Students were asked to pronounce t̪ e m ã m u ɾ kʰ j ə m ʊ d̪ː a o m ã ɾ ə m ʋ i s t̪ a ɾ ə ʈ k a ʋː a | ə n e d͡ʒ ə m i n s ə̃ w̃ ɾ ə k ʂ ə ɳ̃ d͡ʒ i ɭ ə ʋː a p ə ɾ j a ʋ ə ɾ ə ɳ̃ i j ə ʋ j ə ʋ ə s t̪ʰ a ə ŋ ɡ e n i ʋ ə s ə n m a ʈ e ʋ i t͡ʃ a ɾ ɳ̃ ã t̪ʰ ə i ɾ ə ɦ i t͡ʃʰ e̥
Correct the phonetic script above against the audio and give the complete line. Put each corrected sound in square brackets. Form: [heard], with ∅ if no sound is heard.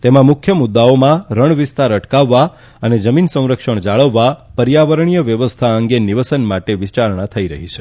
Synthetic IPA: t̪ e m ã m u [∅] kʰ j ə m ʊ d̪ː a o m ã ɾ ə [ɳ] ʋ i s t̪ a ɾ ə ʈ k a ʋː a | ə n e d͡ʒ ə m i n s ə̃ w̃ ɾ ə k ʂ ə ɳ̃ d͡ʒ [a] ɭ ə ʋː a p ə ɾ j a ʋ ə ɾ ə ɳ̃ i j ə ʋ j ə ʋ ə s t̪ʰ a ə ŋ ɡ e n i ʋ ə s ə n m a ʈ e ʋ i t͡ʃ a ɾ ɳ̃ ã t̪ʰ ə i ɾ ə ɦ i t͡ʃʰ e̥